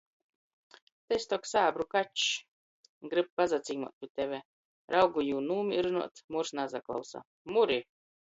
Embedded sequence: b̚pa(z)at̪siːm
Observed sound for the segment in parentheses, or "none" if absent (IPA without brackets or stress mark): z